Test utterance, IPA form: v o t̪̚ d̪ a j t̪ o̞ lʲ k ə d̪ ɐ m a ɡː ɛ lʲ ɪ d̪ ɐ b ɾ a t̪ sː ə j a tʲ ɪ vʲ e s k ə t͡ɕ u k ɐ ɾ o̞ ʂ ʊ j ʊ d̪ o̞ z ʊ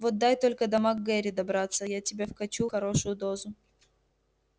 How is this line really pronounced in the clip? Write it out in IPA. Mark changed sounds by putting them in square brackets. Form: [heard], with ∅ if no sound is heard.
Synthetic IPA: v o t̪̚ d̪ a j t̪ o̞ lʲ k ə d̪ ɐ m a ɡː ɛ [ɾʲ] ɪ d̪ ɐ b ɾ a t̪ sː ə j a tʲ ɪ [bʲ] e [f] k [ɐ] t͡ɕ u [x] ɐ ɾ o̞ ʂ ʊ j ʊ d̪ o̞ z ʊ